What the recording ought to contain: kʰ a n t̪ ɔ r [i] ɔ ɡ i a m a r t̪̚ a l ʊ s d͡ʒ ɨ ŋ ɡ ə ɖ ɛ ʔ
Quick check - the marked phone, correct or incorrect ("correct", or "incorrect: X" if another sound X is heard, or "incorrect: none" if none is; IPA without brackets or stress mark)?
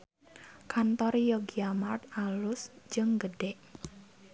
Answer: incorrect: j